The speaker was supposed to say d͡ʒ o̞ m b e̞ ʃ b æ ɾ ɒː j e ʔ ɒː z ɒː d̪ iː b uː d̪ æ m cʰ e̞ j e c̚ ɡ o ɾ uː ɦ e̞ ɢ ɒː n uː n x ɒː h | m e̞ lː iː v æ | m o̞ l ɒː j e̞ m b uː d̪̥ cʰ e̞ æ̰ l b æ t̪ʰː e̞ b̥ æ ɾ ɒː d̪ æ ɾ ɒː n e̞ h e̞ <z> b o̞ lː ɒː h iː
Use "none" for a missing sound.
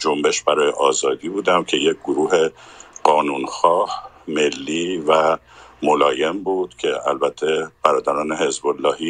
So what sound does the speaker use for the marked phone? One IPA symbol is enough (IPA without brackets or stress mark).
z